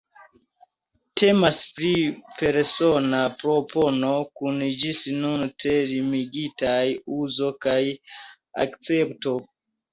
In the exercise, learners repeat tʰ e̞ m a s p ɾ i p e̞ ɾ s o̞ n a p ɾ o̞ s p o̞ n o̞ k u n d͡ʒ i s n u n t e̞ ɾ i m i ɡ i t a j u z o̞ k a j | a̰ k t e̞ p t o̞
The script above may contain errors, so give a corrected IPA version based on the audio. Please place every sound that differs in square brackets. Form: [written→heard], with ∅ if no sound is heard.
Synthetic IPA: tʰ e̞ m a s p ɾ i p e̞ ɾ s o̞ n a p ɾ o̞ [s→∅] p o̞ n o̞ k u n d͡ʒ i s n u n t e̞ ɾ i m i ɡ i t a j u z o̞ k a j | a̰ k [t→t͡s] e̞ p t o̞